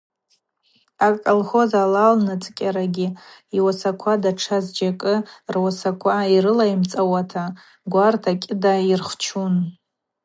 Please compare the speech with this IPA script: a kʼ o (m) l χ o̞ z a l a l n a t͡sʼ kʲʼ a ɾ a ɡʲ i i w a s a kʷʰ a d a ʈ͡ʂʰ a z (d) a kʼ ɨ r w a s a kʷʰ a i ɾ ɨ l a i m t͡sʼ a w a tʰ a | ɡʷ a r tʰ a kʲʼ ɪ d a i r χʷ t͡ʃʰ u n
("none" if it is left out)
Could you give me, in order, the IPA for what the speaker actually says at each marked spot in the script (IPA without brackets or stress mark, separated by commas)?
none, d͡ʒ